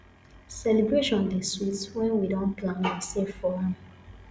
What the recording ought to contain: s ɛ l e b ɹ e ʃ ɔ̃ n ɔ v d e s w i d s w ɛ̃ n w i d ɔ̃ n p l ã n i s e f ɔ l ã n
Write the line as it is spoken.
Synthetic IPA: s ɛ l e b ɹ e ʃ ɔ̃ n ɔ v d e s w i t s w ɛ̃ n w i d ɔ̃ n p l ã n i s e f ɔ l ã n